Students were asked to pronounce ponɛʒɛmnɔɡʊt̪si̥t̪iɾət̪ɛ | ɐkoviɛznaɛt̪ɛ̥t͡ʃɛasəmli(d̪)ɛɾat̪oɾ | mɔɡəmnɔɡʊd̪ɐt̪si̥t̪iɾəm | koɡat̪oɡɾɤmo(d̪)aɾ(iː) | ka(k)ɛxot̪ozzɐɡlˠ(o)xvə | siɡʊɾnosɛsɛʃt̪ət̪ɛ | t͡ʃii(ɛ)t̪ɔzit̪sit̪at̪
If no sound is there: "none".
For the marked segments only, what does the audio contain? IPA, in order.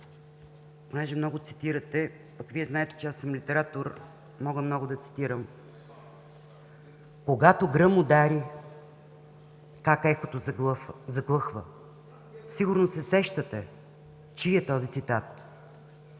t̪, d̪, i, k, ɤ, ɛ

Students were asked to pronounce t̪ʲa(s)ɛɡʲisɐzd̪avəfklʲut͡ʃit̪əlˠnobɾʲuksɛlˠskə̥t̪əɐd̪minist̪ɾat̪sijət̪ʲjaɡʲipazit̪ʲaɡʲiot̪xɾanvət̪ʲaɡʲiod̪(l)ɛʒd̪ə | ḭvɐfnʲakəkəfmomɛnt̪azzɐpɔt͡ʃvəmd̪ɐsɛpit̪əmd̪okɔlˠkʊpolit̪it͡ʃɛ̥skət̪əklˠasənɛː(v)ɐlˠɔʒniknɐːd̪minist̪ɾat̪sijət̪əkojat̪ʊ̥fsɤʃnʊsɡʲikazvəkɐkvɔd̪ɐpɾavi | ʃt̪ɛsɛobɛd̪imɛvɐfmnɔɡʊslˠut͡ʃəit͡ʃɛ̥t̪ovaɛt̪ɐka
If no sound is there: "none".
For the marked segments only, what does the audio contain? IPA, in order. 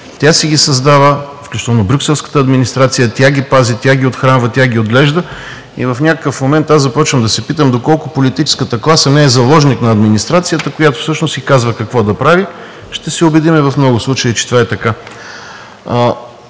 s, l, z

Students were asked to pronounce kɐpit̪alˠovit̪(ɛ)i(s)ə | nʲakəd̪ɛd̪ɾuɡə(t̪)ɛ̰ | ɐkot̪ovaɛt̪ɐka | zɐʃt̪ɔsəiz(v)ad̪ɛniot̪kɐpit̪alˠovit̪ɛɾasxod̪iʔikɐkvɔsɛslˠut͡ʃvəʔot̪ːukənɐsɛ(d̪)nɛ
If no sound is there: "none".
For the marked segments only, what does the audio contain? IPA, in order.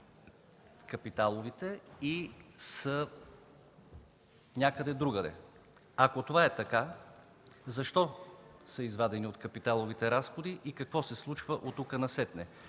ɛ, s, d̪, v, t̪

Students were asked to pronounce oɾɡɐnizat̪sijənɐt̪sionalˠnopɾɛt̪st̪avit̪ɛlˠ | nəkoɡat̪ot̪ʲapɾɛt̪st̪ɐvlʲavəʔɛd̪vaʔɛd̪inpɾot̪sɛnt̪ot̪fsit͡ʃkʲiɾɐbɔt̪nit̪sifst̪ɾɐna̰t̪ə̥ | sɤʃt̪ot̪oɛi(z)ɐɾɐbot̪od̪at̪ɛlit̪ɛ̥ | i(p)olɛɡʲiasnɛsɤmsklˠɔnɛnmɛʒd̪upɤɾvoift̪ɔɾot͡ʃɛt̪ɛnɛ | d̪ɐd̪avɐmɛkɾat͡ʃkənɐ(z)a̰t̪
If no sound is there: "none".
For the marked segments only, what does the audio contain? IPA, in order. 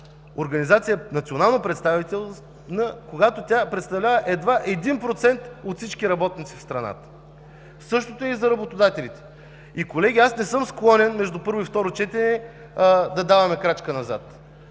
z, k, z

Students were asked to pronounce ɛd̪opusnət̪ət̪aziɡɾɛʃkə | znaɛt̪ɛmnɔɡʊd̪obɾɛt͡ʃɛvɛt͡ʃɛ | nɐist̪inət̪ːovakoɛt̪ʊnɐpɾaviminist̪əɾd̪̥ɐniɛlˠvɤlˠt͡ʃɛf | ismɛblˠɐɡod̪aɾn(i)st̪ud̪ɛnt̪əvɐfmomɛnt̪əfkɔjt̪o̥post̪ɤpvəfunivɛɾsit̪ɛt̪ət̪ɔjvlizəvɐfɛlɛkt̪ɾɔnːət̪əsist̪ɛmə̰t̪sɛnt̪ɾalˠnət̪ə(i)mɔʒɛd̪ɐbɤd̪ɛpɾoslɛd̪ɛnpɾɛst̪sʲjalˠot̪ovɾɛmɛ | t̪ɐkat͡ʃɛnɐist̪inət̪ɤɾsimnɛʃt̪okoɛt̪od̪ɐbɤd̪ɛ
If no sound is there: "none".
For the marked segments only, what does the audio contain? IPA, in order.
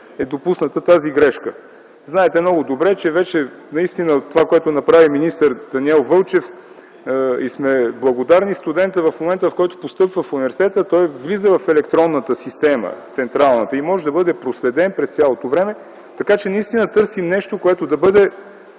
i, i

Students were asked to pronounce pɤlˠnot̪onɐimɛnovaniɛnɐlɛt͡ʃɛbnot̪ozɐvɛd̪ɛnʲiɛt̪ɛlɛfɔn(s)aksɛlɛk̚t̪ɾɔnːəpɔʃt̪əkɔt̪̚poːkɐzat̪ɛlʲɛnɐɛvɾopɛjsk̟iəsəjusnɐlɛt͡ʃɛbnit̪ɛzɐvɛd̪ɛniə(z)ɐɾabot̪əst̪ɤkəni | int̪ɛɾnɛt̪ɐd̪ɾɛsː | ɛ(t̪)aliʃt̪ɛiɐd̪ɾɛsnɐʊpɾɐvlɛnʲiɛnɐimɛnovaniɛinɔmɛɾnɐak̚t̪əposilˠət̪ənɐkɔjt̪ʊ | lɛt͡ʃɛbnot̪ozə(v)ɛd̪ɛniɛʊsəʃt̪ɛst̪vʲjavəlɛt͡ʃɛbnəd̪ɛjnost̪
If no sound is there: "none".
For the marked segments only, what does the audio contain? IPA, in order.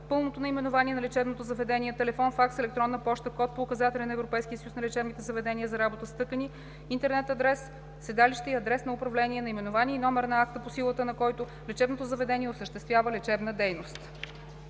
f, z, d̪, v

